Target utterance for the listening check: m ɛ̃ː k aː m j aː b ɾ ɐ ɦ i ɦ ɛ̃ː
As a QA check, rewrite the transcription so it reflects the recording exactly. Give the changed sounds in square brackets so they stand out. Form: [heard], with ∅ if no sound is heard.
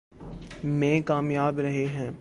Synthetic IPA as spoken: m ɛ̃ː k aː m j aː b ɾ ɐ ɦ [e] ɦ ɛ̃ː

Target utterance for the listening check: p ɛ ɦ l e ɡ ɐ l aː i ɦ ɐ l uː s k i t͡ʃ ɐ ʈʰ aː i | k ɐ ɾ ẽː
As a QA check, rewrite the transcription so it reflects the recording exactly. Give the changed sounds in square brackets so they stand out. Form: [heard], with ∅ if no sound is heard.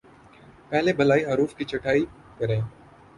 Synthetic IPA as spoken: p ɛ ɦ l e [b] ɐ l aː i ɦ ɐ [ɾ] uː [f] k i t͡ʃ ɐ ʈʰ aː i | k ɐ ɾ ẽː

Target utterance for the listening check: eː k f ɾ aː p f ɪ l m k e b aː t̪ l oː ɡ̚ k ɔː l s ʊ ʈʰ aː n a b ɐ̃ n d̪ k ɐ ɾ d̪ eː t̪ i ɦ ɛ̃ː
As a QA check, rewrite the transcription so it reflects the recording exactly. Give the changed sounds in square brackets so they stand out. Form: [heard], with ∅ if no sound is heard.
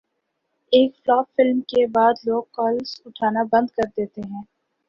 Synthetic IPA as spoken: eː k f [l] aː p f ɪ l m k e b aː [d̪] l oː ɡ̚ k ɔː l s ʊ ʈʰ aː n a b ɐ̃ n d̪ k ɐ ɾ d̪ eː t̪ [e] ɦ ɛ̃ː

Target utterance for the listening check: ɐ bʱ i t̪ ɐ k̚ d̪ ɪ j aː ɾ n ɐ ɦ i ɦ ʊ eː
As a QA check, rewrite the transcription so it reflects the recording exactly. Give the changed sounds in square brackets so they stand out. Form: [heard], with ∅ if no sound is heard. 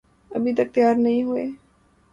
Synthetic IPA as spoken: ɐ bʱ i t̪ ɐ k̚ [t̪] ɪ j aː ɾ n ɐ ɦ [ĩ] ɦ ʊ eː

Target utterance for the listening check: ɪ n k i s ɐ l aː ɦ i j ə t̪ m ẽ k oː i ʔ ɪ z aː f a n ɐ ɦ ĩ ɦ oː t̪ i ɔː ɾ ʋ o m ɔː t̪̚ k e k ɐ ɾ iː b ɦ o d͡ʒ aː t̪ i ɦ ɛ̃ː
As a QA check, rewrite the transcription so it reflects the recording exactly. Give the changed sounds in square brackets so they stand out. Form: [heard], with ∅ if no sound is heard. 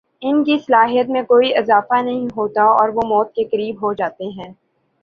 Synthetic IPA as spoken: ɪ n k i s ɐ l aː ɦ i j ə t̪ m ẽ k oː i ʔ ɪ z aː f a n ɐ ɦ ĩ ɦ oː t̪ [a] ɔː ɾ ʋ o m ɔː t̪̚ k e k ɐ ɾ iː b ɦ o d͡ʒ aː t̪ [e] ɦ ɛ̃ː

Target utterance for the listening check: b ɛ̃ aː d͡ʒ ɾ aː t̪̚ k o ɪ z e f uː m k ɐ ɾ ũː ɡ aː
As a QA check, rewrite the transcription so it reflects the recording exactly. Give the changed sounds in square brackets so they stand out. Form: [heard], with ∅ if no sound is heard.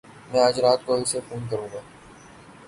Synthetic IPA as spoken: [m] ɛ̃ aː d͡ʒ ɾ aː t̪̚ k o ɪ [s] e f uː [n] k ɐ ɾ ũː ɡ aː

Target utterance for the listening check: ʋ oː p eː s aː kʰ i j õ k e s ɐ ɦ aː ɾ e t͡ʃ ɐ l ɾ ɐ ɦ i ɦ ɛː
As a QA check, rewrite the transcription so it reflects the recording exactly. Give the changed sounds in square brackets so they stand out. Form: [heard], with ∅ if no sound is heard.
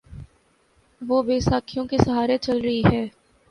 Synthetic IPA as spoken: ʋ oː [b] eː s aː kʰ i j õ k e s ɐ ɦ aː ɾ e t͡ʃ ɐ l ɾ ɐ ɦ i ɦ ɛː

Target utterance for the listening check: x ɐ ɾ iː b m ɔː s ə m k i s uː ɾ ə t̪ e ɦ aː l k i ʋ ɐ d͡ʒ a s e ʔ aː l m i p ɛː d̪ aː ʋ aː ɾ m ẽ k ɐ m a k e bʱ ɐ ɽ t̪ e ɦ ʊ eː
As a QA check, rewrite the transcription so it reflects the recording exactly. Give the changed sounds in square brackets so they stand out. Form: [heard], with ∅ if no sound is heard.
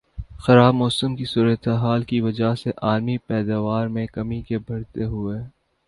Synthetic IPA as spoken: x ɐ ɾ [aː] b m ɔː s ə m k i s uː ɾ ə t̪ e ɦ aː l k i ʋ ɐ d͡ʒ a s e ʔ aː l m i p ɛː d̪ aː ʋ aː ɾ m ẽ k ɐ m [i] k e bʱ ɐ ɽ t̪ e ɦ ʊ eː

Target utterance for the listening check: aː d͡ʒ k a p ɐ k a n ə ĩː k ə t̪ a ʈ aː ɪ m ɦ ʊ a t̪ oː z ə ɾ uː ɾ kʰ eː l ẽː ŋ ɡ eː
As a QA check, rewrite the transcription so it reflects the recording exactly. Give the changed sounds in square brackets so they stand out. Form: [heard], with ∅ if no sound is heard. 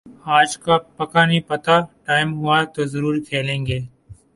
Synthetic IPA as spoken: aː d͡ʒ k a p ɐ k a n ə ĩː [p] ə t̪ a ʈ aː ɪ m ɦ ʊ a t̪ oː z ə ɾ uː ɾ kʰ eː l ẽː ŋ ɡ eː

